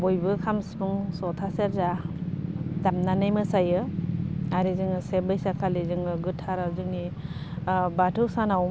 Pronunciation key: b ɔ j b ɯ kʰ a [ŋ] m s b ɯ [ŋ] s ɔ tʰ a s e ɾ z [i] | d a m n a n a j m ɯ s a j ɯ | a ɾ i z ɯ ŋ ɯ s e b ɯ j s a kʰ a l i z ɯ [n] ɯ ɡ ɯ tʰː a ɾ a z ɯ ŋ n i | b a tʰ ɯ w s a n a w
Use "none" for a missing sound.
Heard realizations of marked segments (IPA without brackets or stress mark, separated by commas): none, ŋ, a, ŋ